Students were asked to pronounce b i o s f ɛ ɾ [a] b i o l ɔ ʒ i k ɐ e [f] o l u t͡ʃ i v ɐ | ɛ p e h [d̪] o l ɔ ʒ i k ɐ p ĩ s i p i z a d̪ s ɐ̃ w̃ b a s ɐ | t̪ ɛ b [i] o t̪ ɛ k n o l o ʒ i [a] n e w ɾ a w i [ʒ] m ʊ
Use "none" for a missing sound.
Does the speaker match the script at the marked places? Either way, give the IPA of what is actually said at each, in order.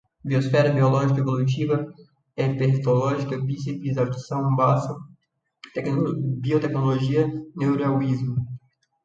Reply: ɐ, v, t̪, i, ɐ, z

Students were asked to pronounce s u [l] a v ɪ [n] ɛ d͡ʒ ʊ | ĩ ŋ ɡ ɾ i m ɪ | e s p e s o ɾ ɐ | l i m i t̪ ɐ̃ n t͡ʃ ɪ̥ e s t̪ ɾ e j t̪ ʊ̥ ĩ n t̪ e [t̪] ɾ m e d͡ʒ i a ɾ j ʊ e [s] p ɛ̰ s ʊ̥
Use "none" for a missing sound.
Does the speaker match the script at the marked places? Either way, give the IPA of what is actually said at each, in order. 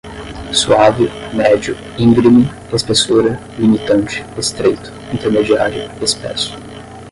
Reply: none, m, none, s

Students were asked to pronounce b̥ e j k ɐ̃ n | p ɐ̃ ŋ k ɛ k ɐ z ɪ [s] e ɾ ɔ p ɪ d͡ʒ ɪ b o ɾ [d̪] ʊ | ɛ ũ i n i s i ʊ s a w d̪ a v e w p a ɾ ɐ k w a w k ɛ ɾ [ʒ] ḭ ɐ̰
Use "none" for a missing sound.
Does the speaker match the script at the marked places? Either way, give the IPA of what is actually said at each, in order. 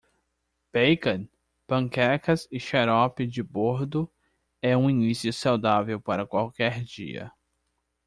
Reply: ʃ, d̪, d͡ʒ

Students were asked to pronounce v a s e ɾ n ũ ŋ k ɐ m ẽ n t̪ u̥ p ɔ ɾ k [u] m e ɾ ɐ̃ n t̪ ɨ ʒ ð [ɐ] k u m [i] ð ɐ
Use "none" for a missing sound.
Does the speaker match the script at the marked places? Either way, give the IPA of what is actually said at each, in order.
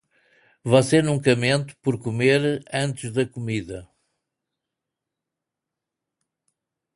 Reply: u, ɐ, i

